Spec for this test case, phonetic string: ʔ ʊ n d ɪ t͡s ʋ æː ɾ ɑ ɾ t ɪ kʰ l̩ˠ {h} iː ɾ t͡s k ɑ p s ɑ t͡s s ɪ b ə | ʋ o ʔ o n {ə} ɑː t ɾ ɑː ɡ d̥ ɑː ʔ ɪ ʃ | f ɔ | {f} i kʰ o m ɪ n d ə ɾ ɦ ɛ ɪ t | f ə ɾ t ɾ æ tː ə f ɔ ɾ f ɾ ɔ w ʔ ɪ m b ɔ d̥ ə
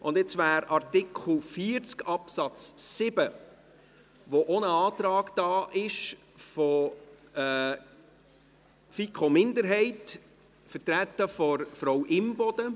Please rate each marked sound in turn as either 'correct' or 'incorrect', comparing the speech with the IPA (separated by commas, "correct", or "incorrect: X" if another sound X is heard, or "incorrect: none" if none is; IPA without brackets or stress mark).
incorrect: f, correct, correct